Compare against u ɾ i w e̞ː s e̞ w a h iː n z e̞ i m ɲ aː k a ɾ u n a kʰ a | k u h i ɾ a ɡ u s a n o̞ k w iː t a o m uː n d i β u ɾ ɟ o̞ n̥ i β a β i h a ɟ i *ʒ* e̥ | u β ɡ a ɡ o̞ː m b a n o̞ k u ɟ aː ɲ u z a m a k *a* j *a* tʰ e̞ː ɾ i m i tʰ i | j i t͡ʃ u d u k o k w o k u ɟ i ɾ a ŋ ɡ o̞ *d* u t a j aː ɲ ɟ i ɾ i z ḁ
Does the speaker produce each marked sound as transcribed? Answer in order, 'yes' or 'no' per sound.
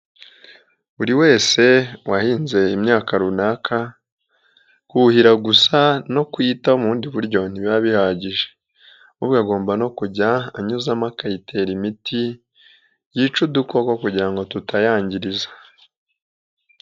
yes, yes, no, no

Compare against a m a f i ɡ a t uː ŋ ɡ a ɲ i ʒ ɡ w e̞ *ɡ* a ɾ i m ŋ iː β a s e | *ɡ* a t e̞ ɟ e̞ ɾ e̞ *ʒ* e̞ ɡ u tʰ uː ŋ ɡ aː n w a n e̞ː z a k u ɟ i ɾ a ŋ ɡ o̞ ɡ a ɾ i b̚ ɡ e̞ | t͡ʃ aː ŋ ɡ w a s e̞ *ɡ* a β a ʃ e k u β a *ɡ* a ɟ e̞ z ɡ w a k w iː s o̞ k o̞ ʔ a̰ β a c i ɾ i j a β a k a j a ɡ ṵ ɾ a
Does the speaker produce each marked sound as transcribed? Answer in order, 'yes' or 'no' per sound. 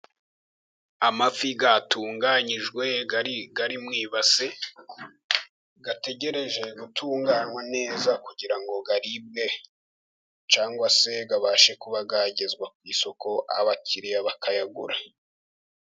yes, yes, yes, yes, yes

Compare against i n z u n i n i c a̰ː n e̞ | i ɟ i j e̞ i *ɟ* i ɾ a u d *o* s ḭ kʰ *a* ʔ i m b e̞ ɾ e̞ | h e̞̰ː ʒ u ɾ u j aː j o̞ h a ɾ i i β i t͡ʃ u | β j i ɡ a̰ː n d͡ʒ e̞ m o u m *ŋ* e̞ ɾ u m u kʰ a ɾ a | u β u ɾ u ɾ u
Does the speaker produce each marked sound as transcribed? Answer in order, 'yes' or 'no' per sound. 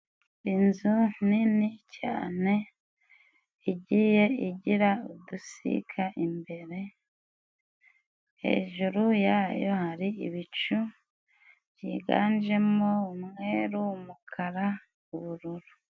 yes, no, yes, yes

